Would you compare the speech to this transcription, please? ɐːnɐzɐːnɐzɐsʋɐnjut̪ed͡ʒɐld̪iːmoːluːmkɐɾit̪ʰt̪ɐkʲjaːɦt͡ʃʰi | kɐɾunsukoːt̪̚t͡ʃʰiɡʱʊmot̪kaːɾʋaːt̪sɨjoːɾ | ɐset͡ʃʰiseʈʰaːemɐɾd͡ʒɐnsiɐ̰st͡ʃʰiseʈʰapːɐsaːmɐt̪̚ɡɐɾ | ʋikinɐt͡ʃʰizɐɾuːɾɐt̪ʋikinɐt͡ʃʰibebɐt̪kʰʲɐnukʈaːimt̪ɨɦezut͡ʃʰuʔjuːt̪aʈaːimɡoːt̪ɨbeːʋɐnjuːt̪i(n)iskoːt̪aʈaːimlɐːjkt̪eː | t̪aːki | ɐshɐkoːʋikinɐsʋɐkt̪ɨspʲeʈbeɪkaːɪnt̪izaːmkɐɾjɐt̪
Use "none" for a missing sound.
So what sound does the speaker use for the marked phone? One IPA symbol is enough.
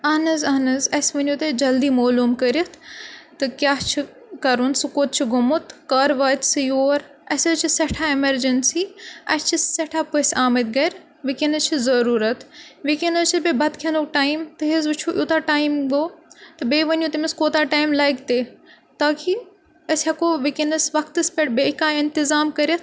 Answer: m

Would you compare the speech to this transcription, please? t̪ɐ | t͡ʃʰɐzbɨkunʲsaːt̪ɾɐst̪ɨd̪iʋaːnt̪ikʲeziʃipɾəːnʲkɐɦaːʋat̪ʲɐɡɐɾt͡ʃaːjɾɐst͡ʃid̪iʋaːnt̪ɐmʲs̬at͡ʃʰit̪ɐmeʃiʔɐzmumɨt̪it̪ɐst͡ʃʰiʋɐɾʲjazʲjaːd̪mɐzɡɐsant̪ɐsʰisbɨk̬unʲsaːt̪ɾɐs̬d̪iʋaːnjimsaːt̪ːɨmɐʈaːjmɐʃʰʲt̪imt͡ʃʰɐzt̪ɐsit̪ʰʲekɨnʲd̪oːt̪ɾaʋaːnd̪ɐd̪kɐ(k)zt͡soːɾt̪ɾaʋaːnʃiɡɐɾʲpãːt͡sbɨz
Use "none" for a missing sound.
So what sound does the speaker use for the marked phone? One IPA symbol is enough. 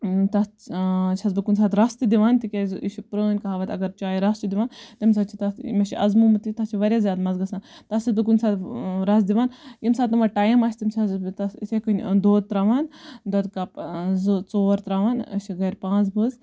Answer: p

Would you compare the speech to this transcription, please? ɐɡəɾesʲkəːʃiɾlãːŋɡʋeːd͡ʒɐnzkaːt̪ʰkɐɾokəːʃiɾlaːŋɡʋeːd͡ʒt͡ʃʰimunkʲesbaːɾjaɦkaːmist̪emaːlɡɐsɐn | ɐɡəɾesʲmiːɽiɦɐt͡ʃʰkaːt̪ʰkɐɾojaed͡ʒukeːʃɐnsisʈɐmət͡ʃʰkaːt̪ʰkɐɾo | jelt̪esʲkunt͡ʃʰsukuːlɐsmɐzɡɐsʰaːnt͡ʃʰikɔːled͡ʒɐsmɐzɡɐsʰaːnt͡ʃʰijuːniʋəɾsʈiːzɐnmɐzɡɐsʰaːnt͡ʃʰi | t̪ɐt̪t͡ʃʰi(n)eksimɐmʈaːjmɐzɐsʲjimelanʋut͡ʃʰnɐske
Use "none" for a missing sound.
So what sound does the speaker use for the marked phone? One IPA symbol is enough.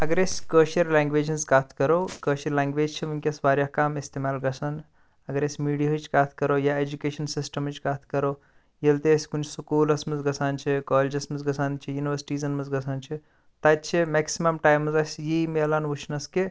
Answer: m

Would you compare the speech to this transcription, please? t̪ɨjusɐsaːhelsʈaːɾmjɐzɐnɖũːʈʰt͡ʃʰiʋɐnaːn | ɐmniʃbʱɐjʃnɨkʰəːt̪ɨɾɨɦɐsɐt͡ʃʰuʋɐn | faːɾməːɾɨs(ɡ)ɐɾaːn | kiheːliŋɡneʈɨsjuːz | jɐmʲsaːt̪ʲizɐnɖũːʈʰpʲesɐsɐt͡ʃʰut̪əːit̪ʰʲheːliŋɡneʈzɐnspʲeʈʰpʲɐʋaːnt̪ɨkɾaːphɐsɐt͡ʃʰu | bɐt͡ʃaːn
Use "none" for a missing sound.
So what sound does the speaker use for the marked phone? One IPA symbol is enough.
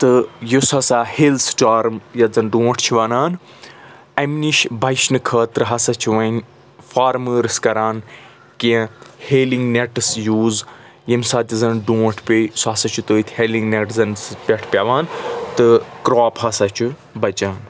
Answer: k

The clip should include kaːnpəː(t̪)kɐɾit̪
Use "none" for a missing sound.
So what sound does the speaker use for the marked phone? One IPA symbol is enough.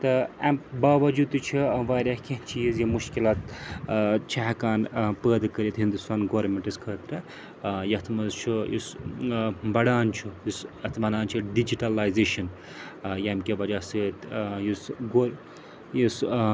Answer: d̪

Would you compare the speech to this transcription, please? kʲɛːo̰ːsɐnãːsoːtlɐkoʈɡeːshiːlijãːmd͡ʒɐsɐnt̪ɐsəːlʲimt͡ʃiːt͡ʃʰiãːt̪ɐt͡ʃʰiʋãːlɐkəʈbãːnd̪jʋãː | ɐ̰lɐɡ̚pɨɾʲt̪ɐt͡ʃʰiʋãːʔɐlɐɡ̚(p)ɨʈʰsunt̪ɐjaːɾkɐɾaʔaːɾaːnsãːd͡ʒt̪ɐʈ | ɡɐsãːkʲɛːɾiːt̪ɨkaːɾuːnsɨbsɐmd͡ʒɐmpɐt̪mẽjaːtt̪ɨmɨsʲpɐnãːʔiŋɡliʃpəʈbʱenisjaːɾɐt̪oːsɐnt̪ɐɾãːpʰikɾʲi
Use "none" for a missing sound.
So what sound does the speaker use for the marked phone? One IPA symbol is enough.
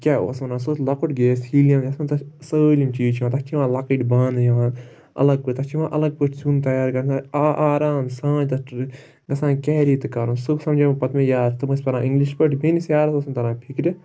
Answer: p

